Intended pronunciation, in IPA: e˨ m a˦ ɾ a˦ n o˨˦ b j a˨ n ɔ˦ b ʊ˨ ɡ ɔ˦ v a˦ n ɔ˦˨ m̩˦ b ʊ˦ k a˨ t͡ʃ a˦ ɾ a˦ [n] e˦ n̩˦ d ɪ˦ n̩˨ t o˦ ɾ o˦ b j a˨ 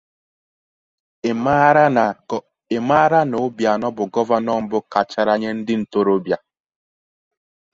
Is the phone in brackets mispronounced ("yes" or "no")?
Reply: yes